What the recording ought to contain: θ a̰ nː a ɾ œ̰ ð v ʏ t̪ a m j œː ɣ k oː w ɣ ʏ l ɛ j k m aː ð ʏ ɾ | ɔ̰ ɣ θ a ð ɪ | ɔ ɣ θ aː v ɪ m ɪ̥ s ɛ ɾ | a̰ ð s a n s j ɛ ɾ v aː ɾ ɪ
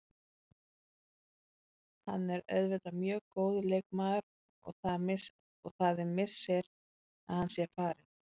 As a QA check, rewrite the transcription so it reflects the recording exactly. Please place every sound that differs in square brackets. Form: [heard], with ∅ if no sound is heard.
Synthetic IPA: [h] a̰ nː [ɛ] ɾ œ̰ ð v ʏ t̪ a m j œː ɣ k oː w [ð] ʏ l [e] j k m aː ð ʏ ɾ | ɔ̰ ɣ θ a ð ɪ | ɔ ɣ θ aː [ð] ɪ m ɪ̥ s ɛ ɾ | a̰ ð [h] a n s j ɛ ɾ [f] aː ɾ ɪ